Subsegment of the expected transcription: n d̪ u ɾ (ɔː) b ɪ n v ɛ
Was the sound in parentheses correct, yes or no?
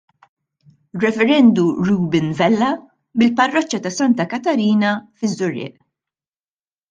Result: no